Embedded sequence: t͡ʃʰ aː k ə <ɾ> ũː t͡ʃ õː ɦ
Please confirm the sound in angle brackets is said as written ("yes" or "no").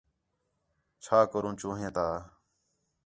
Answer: yes